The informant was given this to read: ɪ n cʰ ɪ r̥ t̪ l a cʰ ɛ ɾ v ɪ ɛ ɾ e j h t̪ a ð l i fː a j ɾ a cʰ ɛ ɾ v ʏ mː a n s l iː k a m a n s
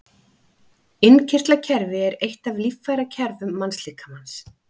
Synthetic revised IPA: ɪ n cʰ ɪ r̥ t̪ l a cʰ ɛ ɾ v ɪ ɛ ɾ e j h t̪ a v l i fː a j ɾ a cʰ ɛ ɾ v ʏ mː a n s l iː k a m a n s